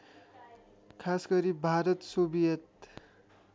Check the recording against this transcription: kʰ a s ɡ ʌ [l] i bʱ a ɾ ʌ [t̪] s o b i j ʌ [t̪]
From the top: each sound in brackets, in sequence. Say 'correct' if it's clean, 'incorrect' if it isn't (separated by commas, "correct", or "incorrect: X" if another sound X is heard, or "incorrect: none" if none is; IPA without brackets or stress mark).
incorrect: ɾ, correct, correct